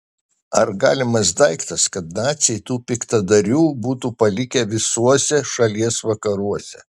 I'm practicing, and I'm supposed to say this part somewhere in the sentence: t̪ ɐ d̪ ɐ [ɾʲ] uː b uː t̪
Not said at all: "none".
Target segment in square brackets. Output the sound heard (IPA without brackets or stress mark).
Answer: ɾʲ